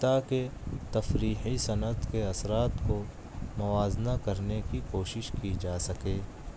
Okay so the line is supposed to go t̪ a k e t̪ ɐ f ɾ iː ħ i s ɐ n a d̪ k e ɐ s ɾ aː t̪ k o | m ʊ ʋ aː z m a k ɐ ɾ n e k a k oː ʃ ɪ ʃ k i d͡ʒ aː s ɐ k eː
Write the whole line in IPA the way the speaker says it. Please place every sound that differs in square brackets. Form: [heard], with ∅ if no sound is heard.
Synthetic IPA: t̪ a k e t̪ ɐ f ɾ iː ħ i s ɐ n [ə] d̪ k e ɐ s ɾ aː t̪ k o | m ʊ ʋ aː z [n] a k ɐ ɾ n e k [i] k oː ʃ ɪ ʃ k i d͡ʒ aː s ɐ k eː